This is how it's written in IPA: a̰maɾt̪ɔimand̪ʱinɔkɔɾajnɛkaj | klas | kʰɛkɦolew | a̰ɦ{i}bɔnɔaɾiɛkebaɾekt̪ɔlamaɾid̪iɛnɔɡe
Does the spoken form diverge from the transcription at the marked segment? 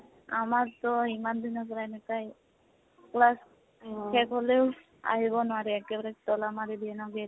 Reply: no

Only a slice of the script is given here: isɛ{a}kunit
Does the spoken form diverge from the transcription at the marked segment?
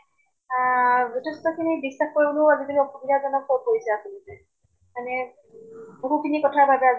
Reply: no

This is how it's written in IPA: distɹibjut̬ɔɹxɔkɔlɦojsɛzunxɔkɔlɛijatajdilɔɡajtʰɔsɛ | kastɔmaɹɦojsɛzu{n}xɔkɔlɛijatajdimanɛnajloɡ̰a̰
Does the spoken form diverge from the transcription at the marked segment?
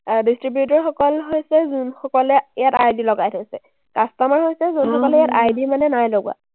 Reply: no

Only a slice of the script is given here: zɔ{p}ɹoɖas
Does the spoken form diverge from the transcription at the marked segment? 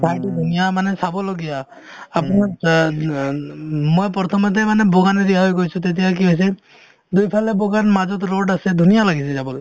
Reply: yes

